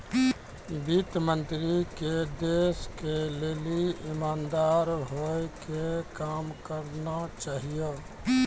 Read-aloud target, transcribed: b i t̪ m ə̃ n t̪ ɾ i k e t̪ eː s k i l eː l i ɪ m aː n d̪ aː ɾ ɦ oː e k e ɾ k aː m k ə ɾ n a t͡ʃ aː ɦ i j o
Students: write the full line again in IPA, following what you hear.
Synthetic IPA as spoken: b i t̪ m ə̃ n t̪ ɾ i k e d̪ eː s k e l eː l i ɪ m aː n d̪ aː ɾ ɦ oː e k e k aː m k ə ɾ n a t͡ʃ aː ɦ i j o